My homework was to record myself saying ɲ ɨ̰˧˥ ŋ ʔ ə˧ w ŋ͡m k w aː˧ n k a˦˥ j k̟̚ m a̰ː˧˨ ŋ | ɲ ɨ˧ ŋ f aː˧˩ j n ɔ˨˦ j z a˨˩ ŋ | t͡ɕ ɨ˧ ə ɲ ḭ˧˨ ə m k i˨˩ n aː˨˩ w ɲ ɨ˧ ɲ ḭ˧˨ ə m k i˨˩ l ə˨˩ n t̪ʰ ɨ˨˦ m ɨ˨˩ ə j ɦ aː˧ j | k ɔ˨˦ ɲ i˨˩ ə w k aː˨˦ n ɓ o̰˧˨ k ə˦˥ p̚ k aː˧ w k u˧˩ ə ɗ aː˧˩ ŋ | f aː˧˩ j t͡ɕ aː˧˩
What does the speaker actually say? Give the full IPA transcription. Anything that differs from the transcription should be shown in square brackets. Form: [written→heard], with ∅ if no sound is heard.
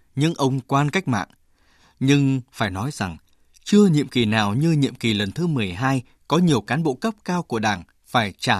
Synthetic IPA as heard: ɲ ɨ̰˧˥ ŋ ʔ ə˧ w ŋ͡m k w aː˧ n k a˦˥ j k̟̚ m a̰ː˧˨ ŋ | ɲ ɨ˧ ŋ f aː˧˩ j n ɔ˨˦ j z a˨˩ ŋ | t͡ɕ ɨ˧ ə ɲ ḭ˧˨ ə m k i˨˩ n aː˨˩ w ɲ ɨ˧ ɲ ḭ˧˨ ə m k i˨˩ l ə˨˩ n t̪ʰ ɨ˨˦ m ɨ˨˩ ə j ɦ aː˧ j | k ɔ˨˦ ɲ i˨˩ ə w k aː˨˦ n ɓ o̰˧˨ k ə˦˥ p̚ k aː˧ w k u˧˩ ə ɗ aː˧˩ ŋ | f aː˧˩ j t͡ɕ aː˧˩